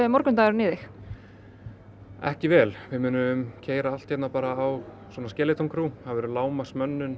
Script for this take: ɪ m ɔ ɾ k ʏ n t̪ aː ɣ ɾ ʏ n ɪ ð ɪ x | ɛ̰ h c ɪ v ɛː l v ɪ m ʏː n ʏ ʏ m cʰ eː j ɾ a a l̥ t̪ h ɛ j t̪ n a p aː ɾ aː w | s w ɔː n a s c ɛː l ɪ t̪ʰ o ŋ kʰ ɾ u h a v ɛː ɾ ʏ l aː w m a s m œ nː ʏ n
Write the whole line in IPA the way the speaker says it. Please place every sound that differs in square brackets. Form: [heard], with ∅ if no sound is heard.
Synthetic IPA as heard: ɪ m ɔ ɾ k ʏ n t̪ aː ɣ ɾ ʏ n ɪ ð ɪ x | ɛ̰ h c ɪ v ɛː l v ɪ m ʏː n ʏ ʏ m cʰ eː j ɾ a a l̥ t̪ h ɛ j t̪ n a p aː ɾ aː w | s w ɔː n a s c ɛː l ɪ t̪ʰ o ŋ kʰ ɾ u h a v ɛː ɾ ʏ l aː w m a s m œ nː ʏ n